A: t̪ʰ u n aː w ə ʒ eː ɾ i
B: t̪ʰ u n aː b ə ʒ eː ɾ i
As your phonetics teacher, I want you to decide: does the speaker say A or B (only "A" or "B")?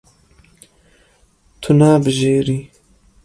B